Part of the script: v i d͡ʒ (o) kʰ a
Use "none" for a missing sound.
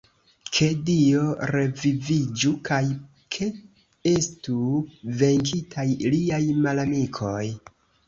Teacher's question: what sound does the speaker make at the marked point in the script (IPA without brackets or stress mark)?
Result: u